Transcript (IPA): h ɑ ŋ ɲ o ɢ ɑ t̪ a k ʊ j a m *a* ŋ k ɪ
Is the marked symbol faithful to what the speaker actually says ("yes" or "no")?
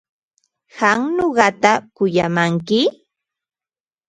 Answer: yes